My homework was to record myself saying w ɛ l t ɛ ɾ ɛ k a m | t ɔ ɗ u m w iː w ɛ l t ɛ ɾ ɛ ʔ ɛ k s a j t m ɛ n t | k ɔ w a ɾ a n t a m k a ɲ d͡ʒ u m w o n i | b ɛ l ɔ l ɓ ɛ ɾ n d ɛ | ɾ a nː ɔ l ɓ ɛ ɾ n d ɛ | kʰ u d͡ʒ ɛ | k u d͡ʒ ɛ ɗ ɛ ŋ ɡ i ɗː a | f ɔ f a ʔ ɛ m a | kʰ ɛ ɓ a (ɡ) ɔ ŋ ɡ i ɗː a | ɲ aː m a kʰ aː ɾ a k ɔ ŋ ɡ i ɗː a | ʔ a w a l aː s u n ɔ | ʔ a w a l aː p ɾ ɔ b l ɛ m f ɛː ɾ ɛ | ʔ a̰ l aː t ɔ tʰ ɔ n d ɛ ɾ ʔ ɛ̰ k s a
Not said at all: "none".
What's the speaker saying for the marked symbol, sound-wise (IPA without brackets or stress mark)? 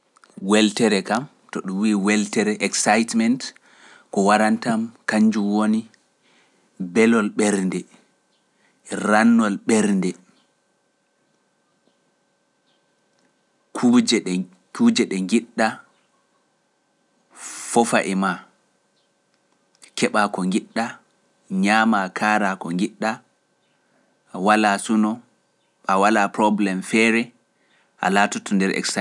k